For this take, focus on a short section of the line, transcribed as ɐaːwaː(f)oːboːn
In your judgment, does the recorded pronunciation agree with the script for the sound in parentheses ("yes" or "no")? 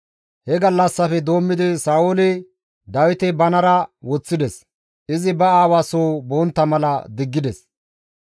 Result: no